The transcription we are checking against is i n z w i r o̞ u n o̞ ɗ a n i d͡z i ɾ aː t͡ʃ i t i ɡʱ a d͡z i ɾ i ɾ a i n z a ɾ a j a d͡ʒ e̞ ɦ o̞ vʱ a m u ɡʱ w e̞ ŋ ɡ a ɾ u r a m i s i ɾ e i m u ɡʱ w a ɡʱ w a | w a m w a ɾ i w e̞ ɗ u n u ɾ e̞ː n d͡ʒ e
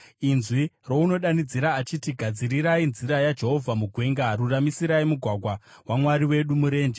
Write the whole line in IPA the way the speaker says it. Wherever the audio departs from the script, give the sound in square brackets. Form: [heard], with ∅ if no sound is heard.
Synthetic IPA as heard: i n z w i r o̞ u n o̞ ɗ a n i d͡z i ɾ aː t͡ʃ i t i ɡʱ a d͡z i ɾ i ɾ a i n z [i] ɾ a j a d͡ʒ e̞ ɦ o̞ vʱ a m u ɡʱ w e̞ ŋ ɡ a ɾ u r a m i s i ɾ [a] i m u ɡʱ w a ɡʱ w a | w a m w a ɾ i w e̞ ɗ u [m] u ɾ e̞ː n d͡ʒ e